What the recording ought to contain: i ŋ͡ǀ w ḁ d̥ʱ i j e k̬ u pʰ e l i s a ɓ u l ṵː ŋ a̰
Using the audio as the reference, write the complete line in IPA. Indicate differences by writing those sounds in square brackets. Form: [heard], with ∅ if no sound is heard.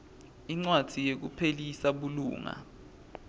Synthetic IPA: i ŋ͡ǀ w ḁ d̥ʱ i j e k̬ u pʰ e l i s a ɓ u l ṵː ŋ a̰